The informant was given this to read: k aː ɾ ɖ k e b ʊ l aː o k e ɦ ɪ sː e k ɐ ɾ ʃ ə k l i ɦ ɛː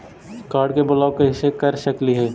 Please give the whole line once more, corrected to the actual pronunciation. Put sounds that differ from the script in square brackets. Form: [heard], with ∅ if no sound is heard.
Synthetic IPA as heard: k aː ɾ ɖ k e b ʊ l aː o k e ɦ ɪ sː e k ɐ ɾ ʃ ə k l i ɦ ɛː

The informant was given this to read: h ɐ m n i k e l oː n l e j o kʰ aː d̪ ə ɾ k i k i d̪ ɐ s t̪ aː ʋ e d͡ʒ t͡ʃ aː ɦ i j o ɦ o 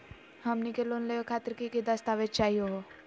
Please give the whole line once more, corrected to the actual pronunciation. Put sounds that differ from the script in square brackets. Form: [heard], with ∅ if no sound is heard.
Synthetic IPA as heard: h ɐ m n i k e l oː n l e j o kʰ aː [t̪] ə ɾ k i k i d̪ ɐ s t̪ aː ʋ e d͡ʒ t͡ʃ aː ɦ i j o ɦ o

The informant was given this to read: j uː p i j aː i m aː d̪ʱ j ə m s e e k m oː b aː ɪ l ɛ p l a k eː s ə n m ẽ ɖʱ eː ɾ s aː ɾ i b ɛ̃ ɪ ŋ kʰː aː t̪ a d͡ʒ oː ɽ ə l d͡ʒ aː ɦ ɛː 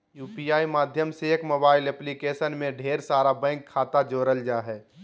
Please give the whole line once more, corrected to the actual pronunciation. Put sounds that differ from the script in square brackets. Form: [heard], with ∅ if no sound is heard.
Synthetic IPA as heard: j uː p i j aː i m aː d̪ʱ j ə m s e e k m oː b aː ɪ l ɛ p l [i] k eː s ə n m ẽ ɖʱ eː ɾ s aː ɾ [a] b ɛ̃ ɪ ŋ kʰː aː t̪ a d͡ʒ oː [ɾ] ə l d͡ʒ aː ɦ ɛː

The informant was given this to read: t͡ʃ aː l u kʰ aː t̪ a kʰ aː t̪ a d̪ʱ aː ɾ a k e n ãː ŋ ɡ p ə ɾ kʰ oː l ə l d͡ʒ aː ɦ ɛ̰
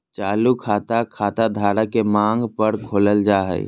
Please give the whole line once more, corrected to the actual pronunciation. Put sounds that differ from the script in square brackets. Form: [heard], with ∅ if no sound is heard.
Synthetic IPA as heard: t͡ʃ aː l u kʰ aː t̪ a kʰ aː t̪ a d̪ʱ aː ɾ a k e [m] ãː ŋ ɡ p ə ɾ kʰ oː l ə l d͡ʒ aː ɦ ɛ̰

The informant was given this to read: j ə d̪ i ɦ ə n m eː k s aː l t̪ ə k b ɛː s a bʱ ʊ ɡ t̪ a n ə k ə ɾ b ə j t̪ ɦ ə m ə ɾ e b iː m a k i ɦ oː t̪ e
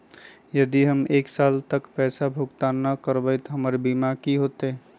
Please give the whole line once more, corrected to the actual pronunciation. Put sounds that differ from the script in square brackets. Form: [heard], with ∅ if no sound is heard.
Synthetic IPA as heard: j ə d̪ i ɦ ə [∅] m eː k s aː l t̪ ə k [p] ɛː s a bʱ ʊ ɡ t̪ a n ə k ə ɾ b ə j t̪ ɦ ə m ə ɾ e b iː m a k i ɦ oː t̪ e

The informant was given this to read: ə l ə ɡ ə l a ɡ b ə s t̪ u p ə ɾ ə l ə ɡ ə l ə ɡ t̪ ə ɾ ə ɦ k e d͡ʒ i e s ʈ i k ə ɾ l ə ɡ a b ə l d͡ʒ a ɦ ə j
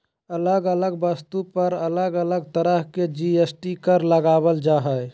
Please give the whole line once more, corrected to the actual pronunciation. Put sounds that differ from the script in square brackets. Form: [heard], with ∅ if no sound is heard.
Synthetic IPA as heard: ə l ə ɡ ə l [ə] ɡ b ə s t̪ u p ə ɾ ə l ə ɡ ə l ə ɡ t̪ ə ɾ ə ɦ k e d͡ʒ i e s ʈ i k ə ɾ l ə ɡ a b ə l d͡ʒ a ɦ ə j

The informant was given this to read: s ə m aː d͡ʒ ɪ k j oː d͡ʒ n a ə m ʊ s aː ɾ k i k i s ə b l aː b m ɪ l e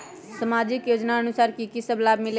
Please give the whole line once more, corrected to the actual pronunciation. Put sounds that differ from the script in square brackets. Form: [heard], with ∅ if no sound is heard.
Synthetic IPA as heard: s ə m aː d͡ʒ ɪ k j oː d͡ʒ n a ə [n] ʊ s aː ɾ k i k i s ə b l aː b m ɪ l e

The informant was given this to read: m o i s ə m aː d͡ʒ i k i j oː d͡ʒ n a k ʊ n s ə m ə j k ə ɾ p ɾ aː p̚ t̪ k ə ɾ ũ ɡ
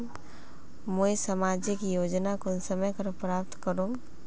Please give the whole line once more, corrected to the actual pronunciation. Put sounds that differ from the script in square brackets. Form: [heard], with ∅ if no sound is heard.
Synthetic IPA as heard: m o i s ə m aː d͡ʒ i k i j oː d͡ʒ n a k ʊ n s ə m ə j k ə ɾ p ɾ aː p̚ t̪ k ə ɾ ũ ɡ

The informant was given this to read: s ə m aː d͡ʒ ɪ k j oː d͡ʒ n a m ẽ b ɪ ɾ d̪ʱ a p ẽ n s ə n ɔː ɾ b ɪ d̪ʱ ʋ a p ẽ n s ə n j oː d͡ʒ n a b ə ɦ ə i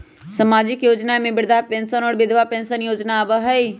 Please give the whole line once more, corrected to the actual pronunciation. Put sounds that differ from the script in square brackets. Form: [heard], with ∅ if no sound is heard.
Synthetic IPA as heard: s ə m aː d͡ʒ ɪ k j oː d͡ʒ n a m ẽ b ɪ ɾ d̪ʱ a p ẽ n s ə n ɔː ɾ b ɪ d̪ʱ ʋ a p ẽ n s ə n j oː d͡ʒ n a b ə ɦ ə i

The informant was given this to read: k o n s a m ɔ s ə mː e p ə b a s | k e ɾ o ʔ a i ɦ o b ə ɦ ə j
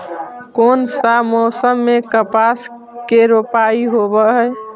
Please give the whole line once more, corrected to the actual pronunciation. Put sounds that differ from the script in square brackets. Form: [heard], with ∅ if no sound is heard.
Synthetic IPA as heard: k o n s a m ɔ s ə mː e [k] ə [p] a s | k e ɾ o [p] a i ɦ o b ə ɦ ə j

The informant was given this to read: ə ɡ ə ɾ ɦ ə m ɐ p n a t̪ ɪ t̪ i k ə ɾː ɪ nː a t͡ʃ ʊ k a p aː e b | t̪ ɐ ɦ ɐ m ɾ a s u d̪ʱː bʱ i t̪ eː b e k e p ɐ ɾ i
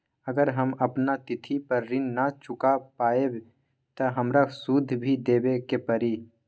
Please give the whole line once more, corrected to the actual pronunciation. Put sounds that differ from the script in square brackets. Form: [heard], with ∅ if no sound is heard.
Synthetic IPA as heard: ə ɡ ə ɾ ɦ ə m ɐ p n a t̪ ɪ [t̪ʰ] i [p] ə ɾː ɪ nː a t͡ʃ ʊ k a p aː e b | t̪ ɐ ɦ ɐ m ɾ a s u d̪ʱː bʱ i [d̪] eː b e k e p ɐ ɾ i

